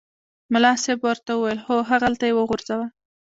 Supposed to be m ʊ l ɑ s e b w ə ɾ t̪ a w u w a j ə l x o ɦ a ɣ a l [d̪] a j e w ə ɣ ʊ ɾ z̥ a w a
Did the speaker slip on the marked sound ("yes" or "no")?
yes